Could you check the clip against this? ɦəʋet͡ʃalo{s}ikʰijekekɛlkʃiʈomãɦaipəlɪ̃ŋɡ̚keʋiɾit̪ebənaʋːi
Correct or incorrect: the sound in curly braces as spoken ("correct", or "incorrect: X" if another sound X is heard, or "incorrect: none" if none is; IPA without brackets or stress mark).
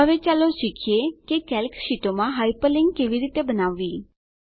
incorrect: ʃ